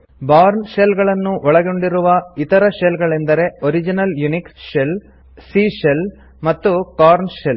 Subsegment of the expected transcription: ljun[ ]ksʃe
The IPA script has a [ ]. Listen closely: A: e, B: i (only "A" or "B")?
B